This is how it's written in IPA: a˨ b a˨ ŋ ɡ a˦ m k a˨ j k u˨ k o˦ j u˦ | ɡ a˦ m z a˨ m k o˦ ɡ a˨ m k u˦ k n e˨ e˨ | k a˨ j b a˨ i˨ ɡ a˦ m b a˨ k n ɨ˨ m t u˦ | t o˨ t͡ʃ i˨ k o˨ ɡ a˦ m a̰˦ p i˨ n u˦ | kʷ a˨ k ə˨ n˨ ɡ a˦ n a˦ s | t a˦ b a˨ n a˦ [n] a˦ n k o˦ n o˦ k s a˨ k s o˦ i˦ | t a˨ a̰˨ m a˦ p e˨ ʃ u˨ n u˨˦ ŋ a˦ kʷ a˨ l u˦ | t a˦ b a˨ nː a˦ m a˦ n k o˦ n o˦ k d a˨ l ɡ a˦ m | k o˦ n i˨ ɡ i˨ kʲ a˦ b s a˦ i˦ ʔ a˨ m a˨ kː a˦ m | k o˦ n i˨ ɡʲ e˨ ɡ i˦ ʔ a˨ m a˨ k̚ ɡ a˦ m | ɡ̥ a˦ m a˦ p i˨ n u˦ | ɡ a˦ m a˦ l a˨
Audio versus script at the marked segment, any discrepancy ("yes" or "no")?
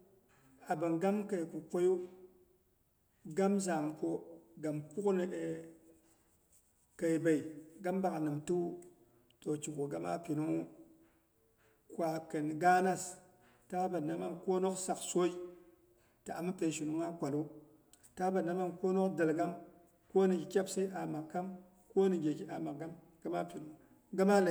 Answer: yes